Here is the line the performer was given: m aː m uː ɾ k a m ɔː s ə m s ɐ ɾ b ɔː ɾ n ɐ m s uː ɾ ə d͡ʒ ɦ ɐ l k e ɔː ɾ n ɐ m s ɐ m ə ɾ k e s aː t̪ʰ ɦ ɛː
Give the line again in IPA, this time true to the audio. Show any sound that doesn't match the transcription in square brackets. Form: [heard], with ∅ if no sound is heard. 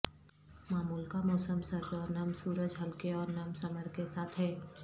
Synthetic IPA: m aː m uː [l] k a m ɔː s ə m s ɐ ɾ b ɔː ɾ n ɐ m s uː ɾ ə d͡ʒ ɦ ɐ l k e ɔː ɾ n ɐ m s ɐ m ə ɾ k e s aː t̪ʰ ɦ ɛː

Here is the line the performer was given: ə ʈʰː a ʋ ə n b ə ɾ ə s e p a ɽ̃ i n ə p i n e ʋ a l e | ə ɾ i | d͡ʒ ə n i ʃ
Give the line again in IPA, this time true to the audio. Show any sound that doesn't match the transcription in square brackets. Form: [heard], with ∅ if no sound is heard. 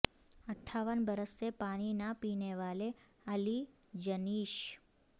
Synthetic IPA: ə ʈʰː a ʋ ə n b ə ɾ ə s e p a ɽ̃ i n [a] p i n e ʋ a l e | ə [l] i | d͡ʒ ə n i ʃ

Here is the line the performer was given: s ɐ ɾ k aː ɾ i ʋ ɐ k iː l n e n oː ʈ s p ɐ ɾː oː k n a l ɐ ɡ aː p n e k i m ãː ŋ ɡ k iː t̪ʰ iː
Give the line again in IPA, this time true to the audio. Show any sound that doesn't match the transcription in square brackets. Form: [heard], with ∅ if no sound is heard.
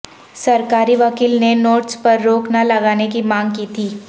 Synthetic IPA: s ɐ ɾ k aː ɾ i ʋ ɐ k iː l n e n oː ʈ s p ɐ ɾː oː k n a l ɐ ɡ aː [∅] n e k i m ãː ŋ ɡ k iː t̪ʰ iː

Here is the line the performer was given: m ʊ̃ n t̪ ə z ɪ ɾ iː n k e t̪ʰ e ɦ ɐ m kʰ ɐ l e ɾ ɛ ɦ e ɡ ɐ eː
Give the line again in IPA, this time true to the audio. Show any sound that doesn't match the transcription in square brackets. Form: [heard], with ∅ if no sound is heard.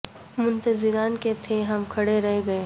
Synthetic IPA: m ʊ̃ n t̪ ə z ɪ ɾ [aː] n k e t̪ʰ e ɦ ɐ m kʰ ɐ [ɽ] e ɾ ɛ ɦ e ɡ ɐ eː

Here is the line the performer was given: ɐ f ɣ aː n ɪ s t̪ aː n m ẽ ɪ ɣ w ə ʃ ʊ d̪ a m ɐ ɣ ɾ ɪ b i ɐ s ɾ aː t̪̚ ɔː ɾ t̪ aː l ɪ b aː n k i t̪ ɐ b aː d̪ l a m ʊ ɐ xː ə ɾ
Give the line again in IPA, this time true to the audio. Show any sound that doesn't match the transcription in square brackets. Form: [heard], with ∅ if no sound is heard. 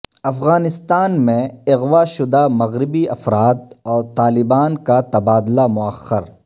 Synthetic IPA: ɐ f ɣ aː n ɪ s t̪ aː n m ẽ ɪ ɣ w [a] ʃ ʊ d̪ a m ɐ ɣ ɾ ɪ b i ɐ [f] ɾ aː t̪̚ ɔː ɾ t̪ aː l ɪ b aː n k [a] t̪ ɐ b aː d̪ l a m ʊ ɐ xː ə ɾ

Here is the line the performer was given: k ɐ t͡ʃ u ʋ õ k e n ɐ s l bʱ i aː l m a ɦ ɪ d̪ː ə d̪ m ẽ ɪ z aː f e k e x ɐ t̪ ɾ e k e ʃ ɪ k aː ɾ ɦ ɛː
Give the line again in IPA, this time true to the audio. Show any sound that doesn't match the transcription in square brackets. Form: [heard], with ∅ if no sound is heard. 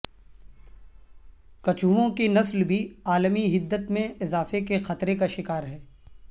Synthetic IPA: k ɐ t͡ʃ u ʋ õ k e n ɐ s l bʱ i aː l m [i] ɦ ɪ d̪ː ə [t̪] m ẽ ɪ z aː f e k e x ɐ t̪ ɾ e k [a] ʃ ɪ k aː ɾ ɦ ɛː

